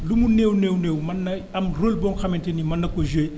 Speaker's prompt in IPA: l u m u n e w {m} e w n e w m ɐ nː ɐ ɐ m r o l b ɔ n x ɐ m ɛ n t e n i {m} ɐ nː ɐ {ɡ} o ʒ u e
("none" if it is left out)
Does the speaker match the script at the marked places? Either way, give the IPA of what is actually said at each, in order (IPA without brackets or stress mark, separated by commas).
n, m, k